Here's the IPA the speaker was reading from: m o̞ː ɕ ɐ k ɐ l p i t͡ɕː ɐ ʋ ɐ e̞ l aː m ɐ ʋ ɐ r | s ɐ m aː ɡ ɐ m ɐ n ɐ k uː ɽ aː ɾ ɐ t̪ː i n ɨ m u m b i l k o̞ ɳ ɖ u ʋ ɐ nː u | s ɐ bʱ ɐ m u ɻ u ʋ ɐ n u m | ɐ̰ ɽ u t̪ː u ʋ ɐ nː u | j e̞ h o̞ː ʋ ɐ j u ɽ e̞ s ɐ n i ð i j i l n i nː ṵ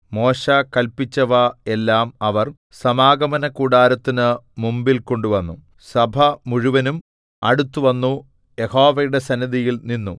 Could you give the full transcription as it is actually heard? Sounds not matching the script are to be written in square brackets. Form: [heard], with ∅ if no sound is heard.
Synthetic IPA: m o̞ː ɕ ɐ k ɐ l p i t͡ɕː ɐ ʋ ɐ e̞ [lː] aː m ɐ ʋ ɐ r | s ɐ m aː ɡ ɐ m ɐ n ɐ k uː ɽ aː ɾ ɐ t̪ː i n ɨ m u m b i l k o̞ ɳ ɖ u ʋ ɐ nː u | s ɐ bʱ ɐ m u ɻ u ʋ ɐ n u m | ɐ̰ ɽ u t̪ː u ʋ ɐ nː u | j e̞ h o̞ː ʋ ɐ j u ɽ e̞ s ɐ n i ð i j i l n i nː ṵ